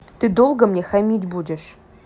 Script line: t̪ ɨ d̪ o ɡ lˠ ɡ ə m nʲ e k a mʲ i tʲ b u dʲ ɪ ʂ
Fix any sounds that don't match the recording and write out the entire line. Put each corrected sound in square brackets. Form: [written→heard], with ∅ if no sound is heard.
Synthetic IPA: t̪ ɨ d̪ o [ɡ→∅] lˠ ɡ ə m nʲ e [k→x] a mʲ i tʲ b u dʲ ɪ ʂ